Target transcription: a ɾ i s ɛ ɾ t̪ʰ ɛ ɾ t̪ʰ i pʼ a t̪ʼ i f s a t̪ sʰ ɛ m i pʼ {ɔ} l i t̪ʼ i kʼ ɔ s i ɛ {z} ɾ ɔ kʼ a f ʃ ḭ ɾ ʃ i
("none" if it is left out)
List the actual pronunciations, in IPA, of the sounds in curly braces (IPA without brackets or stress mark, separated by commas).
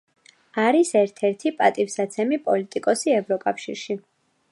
ɔ, v